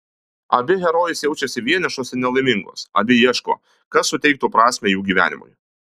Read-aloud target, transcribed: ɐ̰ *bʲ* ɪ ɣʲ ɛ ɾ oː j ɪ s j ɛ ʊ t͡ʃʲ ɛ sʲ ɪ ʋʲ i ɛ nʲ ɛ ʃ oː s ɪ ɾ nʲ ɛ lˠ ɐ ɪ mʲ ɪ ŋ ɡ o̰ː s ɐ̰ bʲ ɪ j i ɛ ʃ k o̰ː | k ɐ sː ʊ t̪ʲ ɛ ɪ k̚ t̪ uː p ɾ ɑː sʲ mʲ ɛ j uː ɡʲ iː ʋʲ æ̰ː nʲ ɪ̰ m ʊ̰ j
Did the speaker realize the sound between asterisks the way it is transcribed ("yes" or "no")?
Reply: yes